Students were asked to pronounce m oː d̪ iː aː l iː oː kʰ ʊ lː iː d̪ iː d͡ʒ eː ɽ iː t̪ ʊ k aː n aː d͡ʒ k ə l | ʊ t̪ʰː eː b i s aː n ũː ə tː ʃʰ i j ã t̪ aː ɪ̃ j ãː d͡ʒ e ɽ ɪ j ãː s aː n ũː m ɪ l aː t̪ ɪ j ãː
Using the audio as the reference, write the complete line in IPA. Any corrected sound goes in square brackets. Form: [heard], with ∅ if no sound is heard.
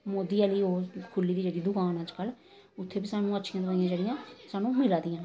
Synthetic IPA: m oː d̪ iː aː l iː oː kʰ ʊ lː iː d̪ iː d͡ʒ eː ɽ iː [d̪] ʊ k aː n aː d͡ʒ k ə l | ʊ t̪ʰː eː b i s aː n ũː ə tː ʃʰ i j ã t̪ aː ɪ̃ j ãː d͡ʒ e ɽ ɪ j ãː s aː n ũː m ɪ l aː [d̪] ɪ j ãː

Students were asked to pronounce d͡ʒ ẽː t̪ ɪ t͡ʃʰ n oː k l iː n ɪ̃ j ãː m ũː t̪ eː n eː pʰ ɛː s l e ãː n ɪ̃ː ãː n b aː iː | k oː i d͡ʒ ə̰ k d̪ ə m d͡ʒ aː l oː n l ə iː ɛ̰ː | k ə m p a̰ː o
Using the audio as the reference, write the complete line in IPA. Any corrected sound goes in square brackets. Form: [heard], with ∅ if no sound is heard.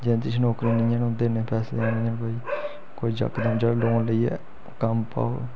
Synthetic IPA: d͡ʒ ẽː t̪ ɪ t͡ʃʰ n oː k [ɾ] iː n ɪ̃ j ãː [n] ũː [d̪] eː n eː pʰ ɛː s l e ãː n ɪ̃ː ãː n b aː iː | k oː i d͡ʒ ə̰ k d̪ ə m d͡ʒ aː l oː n l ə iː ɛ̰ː | k ə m p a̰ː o

